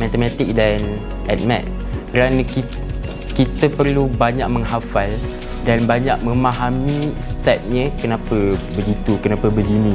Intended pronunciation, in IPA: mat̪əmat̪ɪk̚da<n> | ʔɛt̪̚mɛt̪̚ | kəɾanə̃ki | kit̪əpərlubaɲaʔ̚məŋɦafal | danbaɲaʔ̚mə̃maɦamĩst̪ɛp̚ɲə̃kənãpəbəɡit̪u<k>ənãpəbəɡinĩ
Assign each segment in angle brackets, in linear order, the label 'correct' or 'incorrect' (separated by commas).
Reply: correct, correct